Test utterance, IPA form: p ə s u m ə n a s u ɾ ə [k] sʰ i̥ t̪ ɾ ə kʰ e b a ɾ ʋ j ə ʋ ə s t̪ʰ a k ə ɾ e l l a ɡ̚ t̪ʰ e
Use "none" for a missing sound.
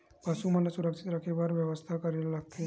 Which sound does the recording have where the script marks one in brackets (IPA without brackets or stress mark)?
k